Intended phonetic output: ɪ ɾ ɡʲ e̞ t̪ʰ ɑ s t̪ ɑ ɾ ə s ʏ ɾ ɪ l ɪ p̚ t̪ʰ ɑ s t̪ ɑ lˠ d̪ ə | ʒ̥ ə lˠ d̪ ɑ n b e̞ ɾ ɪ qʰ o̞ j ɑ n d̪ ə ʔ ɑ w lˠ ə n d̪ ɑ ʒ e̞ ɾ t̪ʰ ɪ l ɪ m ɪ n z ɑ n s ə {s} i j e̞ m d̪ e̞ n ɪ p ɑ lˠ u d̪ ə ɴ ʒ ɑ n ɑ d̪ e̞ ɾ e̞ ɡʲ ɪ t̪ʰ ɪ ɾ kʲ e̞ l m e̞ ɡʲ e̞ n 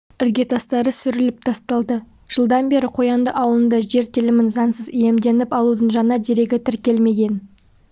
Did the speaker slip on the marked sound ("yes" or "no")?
yes